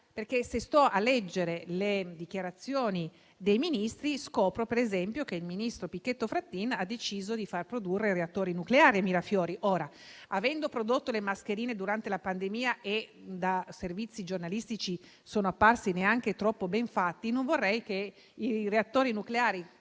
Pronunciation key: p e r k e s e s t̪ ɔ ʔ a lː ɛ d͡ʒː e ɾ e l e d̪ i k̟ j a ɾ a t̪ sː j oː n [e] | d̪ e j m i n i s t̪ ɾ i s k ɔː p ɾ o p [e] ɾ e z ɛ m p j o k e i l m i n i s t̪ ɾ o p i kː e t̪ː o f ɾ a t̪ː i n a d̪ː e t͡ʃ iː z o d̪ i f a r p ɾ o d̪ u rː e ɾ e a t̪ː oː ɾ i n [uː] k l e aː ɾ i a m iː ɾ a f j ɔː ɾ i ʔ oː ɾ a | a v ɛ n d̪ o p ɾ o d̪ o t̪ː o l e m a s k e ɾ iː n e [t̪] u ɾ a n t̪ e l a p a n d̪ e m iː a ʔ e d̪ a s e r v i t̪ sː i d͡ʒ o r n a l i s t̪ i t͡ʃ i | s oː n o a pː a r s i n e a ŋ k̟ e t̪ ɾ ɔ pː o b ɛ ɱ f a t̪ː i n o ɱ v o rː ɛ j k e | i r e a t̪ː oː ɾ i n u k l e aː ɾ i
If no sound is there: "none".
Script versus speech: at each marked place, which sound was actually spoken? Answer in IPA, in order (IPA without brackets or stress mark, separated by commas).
i, e, u, d̪